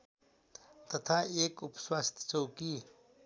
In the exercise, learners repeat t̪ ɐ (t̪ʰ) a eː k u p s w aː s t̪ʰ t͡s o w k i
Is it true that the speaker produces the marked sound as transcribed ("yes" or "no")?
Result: yes